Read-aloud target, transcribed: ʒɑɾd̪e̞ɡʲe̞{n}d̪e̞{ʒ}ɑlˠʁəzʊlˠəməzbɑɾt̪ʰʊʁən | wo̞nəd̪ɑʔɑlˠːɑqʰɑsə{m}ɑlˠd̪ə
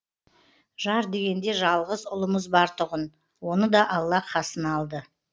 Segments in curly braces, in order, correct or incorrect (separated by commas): correct, correct, incorrect